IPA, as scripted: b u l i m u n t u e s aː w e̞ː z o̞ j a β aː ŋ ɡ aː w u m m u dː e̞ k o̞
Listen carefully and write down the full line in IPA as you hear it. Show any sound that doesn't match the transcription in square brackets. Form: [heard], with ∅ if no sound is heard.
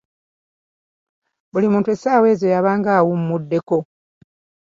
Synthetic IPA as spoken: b u l i m [uː] n t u e s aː w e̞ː z o̞ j a β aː ŋ ɡ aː w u m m u dː e̞ k o̞